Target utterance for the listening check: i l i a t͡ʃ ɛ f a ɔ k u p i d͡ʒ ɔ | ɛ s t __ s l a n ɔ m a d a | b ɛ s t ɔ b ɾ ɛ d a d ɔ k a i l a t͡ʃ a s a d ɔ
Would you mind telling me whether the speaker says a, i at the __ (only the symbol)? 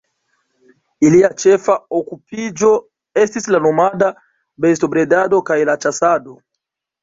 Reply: i